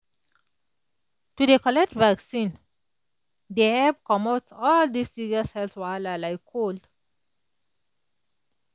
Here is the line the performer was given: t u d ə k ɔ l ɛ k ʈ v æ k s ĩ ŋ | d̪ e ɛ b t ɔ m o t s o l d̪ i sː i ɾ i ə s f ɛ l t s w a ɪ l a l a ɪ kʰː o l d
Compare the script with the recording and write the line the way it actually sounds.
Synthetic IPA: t u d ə k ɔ l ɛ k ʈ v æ k s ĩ n | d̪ e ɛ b k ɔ m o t s ɔ l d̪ i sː i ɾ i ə s h ɛ l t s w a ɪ l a l a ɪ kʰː o l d